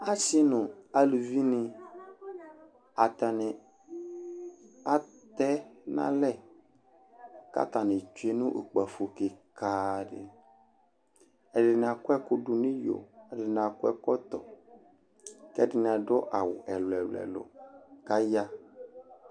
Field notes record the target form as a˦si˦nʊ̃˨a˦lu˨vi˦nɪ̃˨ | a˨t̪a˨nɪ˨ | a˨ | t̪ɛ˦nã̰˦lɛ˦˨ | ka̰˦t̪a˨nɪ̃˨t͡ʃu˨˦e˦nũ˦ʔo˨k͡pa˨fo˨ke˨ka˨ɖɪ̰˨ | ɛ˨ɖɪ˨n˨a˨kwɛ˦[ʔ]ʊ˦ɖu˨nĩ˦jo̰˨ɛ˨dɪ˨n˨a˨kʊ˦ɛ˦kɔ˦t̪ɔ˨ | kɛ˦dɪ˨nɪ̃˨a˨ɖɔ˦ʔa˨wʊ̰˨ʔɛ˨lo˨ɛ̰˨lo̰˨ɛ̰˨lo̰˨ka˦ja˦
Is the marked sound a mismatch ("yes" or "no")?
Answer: yes